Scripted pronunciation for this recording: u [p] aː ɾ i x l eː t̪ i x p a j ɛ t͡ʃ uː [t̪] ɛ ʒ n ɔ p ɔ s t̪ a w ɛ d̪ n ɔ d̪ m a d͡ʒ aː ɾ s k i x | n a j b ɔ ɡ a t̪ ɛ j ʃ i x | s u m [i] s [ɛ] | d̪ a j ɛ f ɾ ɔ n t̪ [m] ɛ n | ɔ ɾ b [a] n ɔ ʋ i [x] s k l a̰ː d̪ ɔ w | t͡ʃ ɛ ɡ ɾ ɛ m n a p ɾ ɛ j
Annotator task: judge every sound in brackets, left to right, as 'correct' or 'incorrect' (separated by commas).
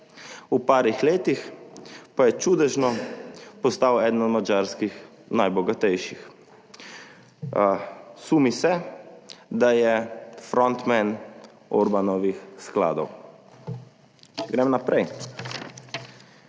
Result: correct, incorrect, correct, correct, correct, correct, correct